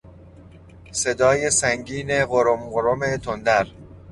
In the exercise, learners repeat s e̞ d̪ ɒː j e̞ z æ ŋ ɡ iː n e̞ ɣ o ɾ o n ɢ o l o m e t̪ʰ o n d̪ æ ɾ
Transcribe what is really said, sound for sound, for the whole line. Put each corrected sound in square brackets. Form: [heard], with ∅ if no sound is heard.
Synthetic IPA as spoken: s e̞ d̪ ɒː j e̞ [s] æ ŋ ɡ iː n e̞ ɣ o ɾ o [m] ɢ o [ɾ] o m e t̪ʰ o n d̪ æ ɾ